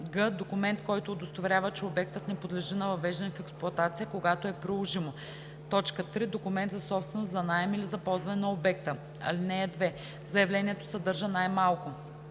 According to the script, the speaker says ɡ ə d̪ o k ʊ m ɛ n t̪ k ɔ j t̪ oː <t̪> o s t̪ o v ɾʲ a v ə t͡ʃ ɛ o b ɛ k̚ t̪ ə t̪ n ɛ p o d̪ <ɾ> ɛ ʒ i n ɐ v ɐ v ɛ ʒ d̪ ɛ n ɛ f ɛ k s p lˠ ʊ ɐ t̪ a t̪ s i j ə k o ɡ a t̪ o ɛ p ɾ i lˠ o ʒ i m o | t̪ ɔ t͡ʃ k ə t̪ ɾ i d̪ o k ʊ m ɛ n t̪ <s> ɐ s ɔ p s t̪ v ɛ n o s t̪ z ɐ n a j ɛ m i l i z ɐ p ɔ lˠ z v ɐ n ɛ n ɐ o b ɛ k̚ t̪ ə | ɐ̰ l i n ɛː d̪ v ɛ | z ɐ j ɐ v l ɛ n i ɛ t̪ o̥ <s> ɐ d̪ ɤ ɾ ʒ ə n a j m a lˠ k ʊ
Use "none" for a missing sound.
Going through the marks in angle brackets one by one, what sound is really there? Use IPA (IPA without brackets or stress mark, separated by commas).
d̪, l, z, s